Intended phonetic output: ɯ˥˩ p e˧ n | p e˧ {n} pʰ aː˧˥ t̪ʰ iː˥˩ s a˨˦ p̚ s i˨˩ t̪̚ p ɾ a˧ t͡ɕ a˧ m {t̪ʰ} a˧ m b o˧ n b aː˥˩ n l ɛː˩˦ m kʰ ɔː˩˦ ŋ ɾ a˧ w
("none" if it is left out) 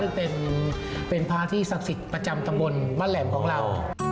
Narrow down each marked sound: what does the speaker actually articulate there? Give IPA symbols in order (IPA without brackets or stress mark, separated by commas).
n, t̪